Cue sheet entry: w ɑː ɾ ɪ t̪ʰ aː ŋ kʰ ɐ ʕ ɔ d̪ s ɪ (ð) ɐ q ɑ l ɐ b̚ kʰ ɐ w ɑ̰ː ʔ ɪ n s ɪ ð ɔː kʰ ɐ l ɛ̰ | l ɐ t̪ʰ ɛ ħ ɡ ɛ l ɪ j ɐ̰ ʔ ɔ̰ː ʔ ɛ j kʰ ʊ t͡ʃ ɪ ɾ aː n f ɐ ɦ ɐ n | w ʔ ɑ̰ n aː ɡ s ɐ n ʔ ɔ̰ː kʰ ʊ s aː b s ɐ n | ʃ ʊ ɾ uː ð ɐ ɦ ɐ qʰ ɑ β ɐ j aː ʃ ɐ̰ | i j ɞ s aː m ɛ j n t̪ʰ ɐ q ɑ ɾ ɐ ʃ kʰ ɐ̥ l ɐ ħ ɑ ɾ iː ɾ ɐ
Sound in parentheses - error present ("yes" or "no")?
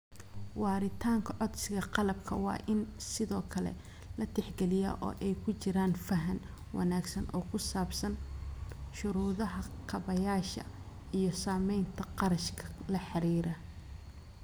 yes